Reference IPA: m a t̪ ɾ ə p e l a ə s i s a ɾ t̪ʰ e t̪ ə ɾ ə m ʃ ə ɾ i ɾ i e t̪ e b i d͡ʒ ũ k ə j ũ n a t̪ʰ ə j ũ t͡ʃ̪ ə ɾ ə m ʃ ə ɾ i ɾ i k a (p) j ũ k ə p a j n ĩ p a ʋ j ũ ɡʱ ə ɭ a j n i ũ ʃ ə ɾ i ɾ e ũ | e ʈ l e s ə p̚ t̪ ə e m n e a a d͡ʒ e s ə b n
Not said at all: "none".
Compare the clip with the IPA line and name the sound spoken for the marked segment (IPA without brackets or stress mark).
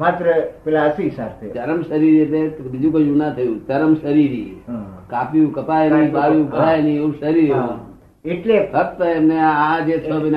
p